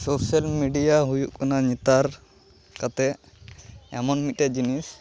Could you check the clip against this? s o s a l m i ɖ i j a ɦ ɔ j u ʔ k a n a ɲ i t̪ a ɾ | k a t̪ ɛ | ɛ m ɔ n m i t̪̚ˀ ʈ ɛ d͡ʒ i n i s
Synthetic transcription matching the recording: s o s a l m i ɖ i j a ɦ u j u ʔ k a n a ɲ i t̪ a ɾ | k a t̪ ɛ | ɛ m ɔ n m i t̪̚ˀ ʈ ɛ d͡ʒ i n i s